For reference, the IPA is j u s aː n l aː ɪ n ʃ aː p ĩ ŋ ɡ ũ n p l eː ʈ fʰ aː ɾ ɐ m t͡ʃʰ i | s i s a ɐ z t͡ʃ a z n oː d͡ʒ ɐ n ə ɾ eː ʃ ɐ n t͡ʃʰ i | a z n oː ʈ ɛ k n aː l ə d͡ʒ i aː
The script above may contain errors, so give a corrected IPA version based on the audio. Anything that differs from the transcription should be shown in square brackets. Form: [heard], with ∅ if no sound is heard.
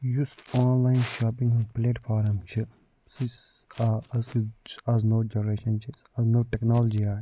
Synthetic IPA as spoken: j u s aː n l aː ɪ n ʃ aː p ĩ ŋ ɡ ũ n p l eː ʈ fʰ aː ɾ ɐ m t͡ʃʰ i | s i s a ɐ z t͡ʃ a z n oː d͡ʒ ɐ n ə ɾ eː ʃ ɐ n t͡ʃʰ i | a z n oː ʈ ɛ k n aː l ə d͡ʒ i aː